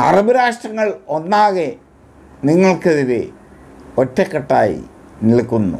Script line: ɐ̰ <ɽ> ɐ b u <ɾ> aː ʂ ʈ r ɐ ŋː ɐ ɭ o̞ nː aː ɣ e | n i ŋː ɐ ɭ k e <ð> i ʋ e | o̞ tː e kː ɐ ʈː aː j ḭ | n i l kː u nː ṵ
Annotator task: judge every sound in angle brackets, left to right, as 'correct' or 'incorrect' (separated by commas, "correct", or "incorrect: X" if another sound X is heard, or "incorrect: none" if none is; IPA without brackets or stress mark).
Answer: incorrect: r, correct, correct